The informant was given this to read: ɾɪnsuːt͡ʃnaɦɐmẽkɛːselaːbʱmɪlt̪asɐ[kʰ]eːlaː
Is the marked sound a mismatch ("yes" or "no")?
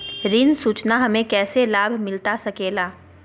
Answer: yes